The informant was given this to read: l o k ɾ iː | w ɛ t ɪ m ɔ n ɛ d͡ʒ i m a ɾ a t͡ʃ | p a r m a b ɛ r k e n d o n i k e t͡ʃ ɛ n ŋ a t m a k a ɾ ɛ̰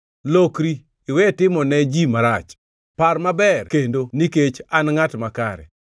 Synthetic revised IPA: l o k ɾ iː | w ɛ t ɪ m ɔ n ɛ d͡ʒ i m a ɾ a t͡ʃ | p a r m a b ɛ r k e n d o n i k e t͡ʃ a n ŋ a t m a k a ɾ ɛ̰